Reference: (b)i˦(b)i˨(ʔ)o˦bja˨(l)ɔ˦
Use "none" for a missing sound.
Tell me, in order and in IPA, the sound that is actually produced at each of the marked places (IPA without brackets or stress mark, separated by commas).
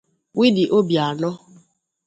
w, d, ʔ, l